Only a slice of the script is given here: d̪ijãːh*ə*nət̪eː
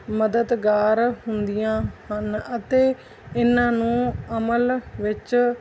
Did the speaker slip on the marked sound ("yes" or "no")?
no